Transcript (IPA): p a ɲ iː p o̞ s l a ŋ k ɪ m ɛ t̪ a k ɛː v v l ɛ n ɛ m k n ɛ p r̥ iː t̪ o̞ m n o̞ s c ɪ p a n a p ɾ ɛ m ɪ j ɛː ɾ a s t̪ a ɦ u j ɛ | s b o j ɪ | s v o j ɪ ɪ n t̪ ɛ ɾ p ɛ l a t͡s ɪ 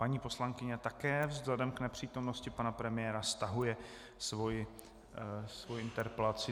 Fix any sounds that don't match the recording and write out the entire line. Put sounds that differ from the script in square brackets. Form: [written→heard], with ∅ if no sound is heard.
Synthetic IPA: p a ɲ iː p o̞ s l a ŋ k ɪ [m→ɲ] ɛ t̪ a k ɛː v [v→z] l ɛ [n→d] ɛ m k n ɛ p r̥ iː t̪ o̞ m n o̞ s c ɪ p a n a p ɾ ɛ m ɪ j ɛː ɾ a s t̪ a ɦ u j ɛ | s [b→v] o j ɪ | s v o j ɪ ɪ n t̪ ɛ ɾ p ɛ l a t͡s ɪ